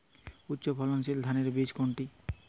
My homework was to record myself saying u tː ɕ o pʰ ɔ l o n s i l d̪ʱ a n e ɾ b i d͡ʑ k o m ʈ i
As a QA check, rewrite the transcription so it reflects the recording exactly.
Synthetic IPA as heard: u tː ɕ o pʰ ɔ l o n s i l d̪ʱ a n e ɾ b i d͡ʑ k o ɳ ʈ i